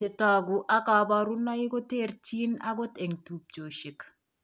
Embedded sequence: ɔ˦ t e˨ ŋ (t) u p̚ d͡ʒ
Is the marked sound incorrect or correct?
correct